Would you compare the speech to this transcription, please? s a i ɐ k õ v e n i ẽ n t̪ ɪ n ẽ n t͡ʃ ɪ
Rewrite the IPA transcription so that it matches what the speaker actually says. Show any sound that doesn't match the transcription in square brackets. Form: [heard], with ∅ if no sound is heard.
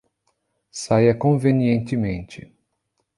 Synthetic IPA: s a [j] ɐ k õ v e n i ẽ n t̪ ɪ [m] ẽ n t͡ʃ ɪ